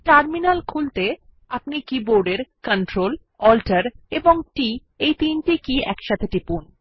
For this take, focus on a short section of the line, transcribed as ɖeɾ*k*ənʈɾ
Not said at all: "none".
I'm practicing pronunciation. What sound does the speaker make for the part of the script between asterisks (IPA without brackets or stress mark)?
k